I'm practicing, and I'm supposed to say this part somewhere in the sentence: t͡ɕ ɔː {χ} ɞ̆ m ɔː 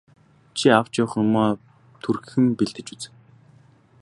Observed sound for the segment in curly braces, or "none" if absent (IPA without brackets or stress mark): χ